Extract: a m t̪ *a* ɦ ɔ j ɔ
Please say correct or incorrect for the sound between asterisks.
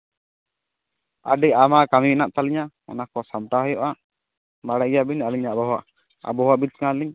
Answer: correct